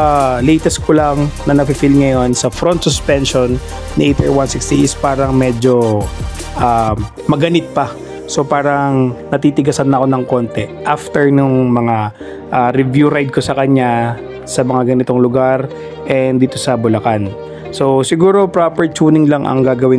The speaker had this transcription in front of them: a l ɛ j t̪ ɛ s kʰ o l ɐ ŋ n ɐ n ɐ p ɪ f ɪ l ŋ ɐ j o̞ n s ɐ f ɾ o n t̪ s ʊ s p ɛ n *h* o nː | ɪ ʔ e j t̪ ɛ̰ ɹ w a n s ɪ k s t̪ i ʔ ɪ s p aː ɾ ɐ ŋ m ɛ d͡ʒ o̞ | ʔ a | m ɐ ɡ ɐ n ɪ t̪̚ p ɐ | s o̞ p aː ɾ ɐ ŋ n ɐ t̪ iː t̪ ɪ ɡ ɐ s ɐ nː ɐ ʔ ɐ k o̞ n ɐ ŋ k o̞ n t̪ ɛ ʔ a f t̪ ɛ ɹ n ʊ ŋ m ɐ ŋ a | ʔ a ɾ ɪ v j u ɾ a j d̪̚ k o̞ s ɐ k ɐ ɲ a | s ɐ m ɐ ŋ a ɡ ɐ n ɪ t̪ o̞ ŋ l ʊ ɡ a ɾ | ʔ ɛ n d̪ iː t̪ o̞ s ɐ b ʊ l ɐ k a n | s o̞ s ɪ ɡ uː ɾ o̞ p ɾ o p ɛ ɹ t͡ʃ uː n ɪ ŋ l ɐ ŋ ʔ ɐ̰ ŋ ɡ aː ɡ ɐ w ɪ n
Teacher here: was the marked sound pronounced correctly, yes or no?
no